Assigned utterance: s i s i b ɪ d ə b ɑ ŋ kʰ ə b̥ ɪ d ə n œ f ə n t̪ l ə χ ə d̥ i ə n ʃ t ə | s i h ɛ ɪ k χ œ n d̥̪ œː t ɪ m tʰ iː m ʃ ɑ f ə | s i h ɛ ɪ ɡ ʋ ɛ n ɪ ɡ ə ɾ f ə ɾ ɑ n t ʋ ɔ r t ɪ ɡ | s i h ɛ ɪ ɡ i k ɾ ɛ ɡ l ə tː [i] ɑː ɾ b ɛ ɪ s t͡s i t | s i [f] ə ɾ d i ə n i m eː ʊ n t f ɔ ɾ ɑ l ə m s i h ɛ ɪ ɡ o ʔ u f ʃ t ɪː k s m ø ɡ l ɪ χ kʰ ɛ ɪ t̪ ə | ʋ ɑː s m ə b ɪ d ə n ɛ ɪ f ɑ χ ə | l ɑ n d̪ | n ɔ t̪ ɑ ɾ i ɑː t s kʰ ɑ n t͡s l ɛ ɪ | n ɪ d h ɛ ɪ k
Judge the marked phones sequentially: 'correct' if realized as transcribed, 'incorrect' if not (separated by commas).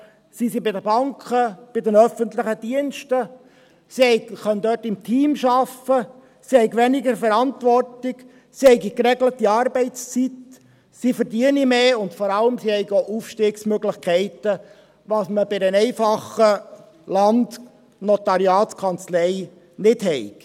correct, correct